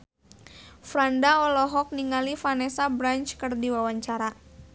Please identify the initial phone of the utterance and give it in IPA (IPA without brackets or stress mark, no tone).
f